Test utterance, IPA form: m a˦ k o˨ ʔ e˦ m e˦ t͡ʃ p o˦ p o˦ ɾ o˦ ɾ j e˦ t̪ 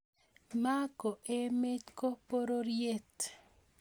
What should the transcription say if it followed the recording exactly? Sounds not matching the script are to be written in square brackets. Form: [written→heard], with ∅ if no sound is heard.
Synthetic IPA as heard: m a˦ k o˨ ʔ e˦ m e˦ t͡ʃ [p→k] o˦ p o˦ ɾ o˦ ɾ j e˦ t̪